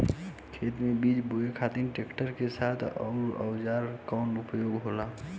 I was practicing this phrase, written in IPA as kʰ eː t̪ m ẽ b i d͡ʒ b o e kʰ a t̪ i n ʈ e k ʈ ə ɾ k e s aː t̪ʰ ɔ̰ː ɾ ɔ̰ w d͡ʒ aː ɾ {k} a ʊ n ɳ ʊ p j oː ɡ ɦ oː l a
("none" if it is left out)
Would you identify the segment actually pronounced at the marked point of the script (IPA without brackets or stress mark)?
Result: k